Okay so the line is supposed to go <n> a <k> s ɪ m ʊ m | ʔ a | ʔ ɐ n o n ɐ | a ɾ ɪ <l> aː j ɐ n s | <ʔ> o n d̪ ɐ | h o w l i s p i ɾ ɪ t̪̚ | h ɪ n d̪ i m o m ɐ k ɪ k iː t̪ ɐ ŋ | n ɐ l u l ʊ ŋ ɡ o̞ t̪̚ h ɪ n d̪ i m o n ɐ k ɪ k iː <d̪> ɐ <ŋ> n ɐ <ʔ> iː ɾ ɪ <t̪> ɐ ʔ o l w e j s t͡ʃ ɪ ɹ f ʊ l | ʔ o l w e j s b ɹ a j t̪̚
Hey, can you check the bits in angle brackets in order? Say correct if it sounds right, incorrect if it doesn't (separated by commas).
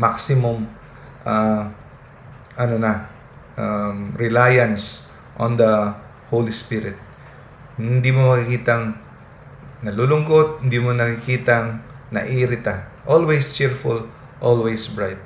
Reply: incorrect, correct, correct, correct, incorrect, correct, correct, correct